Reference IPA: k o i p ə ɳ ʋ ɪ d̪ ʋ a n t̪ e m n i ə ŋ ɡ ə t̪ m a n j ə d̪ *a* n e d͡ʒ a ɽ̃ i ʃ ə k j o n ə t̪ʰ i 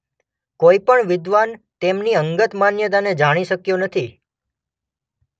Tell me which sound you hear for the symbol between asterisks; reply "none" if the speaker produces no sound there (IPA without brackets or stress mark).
a